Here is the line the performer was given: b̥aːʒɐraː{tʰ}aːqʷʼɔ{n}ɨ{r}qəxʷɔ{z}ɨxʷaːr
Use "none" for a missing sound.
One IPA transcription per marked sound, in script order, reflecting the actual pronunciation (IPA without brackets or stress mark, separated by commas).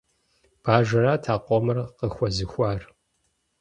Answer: tʰ, m, r, z